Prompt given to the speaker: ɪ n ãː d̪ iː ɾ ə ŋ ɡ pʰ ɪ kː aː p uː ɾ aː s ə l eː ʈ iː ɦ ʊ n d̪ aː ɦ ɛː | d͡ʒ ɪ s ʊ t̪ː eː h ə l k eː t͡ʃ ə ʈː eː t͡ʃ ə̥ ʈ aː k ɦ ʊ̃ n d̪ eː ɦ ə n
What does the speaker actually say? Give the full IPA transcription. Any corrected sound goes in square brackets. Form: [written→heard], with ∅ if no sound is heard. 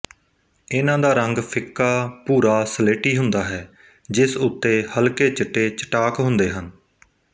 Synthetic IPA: ɪ n ãː d̪ [iː→aː] ɾ ə ŋ ɡ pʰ ɪ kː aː p uː ɾ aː s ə l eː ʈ iː ɦ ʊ n d̪ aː ɦ ɛː | d͡ʒ ɪ s ʊ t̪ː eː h ə l k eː t͡ʃ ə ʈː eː t͡ʃ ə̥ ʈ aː k ɦ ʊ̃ n d̪ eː ɦ ə n